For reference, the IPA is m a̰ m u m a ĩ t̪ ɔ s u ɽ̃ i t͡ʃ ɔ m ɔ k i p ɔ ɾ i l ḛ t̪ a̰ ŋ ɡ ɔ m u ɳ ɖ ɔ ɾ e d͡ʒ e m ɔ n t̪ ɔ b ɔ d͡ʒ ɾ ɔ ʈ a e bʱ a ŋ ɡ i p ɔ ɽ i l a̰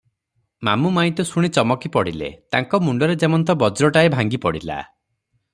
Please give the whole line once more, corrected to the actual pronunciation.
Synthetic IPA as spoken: m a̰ m u m a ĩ t̪ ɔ s u ɽ̃ i t͡ʃ ɔ m ɔ k i p ɔ ɽ i l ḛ t̪ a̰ ŋ k ɔ m u ɳ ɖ ɔ ɾ e d͡ʒ e m ɔ n t̪ ɔ b ɔ d͡ʒ ɾ ɔ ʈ a e bʱ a ŋ ɡ i p ɔ ɽ i l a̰